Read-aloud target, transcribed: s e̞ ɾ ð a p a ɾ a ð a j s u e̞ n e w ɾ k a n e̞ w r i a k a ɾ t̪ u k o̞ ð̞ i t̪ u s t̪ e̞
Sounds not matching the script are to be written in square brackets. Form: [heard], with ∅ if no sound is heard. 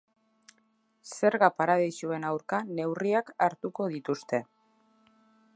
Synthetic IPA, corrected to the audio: s e̞ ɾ [ɣ] a p a ɾ a ð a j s u e̞ n [a] w ɾ k a n e̞ w r i a k a ɾ t̪ u k o̞ ð̞ i t̪ u s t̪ e̞

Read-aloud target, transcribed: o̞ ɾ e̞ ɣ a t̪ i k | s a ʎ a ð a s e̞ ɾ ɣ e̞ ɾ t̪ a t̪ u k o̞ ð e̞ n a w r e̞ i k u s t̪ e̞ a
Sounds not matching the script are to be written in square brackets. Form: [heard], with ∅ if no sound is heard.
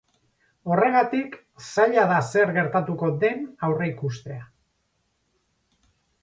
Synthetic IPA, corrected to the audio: o̞ [r] e̞ ɣ a t̪ i k | s a ʎ a ð a s e̞ ɾ ɣ e̞ ɾ t̪ a t̪ u k o̞ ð e̞ n a w r e̞ i k u s t̪ e̞ a

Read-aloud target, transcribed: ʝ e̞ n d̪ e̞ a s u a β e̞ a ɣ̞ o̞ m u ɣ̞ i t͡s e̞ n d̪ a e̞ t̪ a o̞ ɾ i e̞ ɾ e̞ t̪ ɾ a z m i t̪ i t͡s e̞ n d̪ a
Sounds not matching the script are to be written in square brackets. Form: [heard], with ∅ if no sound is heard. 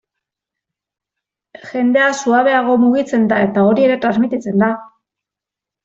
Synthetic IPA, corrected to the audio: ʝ e̞ n d̪ e̞ a s u a β e̞ a ɣ̞ o̞ m u ɣ̞ i t͡s e̞ n d̪ a e̞ t̪ a o̞ ɾ i e̞ ɾ e̞ t̪ ɾ a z m i t̪ i t͡s e̞ n d̪ a

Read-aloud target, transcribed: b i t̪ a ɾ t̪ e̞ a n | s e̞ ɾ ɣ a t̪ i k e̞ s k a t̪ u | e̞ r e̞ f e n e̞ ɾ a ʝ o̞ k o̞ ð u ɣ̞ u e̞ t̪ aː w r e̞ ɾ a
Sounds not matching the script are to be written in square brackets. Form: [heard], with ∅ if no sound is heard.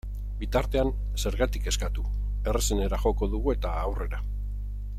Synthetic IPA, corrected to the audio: b i t̪ a ɾ t̪ e̞ a n | s e̞ ɾ ɣ a t̪ i k e̞ s k a t̪ u | e̞ r e̞ [s] e n e̞ ɾ a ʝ o̞ k o̞ ð u ɣ̞ u e̞ t̪ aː w r e̞ ɾ a

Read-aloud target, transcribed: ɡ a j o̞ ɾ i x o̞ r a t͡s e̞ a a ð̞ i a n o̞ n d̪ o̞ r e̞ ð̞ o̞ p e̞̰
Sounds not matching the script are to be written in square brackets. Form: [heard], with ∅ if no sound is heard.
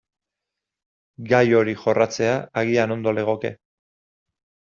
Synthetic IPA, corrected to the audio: ɡ a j o̞ ɾ i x o̞ r a t͡s e̞ a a [ɣ̞] i a n o̞ n d̪ o̞ [l] e̞ [ɣ̞] o̞ [k] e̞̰

